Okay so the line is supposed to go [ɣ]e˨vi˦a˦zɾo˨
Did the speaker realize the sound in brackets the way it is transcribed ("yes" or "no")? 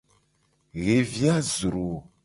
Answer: yes